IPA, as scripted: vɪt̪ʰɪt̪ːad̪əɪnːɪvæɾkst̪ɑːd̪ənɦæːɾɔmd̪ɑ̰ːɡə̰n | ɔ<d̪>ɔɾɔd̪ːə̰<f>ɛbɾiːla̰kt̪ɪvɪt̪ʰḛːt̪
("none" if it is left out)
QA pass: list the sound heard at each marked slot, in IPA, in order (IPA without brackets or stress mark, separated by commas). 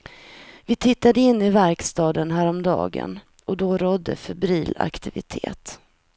d̪, f